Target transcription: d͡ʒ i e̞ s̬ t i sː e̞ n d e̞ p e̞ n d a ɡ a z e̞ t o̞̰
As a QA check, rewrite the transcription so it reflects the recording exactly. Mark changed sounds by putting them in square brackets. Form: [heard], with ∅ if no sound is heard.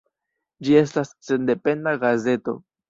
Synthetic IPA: d͡ʒ i e̞ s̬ t [a] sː e̞ n d e̞ p e̞ n d a ɡ a z e̞ t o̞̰